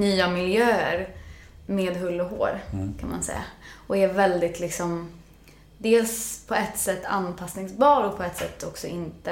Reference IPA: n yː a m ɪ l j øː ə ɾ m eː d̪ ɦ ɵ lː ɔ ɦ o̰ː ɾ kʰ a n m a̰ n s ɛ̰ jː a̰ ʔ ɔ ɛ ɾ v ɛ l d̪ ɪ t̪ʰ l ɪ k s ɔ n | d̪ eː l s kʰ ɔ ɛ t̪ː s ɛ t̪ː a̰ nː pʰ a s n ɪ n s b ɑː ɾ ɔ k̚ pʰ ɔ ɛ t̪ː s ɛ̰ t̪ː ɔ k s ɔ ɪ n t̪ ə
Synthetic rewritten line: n yː a m ɪ l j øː ə ɾ m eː d̪ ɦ ɵ lː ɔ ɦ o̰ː ɾ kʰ a n m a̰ n s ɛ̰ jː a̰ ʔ ɔ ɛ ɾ v ɛ l d̪ ɪ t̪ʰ l ɪ k s ɔ m | d̪ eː l s pʰ ɔ ɛ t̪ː s ɛ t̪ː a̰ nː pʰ a s n ɪ ŋ s b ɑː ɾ ɔ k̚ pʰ ɔ ɛ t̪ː s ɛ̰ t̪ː ɔ k s ɔ ɪ n t̪ ə